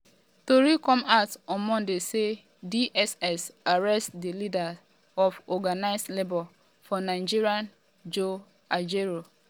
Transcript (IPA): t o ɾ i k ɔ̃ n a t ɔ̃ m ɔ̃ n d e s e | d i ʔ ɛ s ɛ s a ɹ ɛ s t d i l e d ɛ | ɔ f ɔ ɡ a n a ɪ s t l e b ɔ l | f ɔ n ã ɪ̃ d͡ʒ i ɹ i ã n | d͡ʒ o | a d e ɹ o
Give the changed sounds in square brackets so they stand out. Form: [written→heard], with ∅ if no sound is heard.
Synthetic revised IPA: t o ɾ i k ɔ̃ [n→m] a t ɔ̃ m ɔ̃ n d e s e | d i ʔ ɛ s ɛ s a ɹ ɛ s t d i l [e→i] d [ɛ→a] | ɔ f ɔ ɡ a n a ɪ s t l e b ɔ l | f ɔ n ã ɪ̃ d͡ʒ i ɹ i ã n | d͡ʒ o | a [d→d͡ʒ] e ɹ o